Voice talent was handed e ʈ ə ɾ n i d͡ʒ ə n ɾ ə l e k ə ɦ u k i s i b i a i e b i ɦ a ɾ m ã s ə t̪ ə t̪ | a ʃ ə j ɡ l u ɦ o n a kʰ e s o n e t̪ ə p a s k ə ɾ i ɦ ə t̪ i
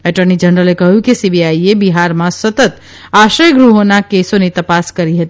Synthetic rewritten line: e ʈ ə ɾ n i d͡ʒ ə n ɾ ə l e k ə ɦ u k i s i b i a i e b i ɦ a ɾ m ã s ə t̪ ə t̪ | a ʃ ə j ɡ ɾ u ɦ o n a k e s o n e t̪ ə p a s k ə ɾ i ɦ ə t̪ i